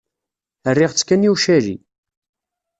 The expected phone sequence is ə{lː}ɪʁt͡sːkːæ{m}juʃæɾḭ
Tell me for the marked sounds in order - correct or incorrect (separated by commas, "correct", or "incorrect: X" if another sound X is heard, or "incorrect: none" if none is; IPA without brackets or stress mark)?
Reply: incorrect: rː, incorrect: n